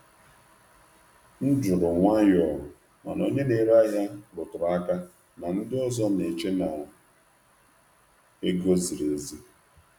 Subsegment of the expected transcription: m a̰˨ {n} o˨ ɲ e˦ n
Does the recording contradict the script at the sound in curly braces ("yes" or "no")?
no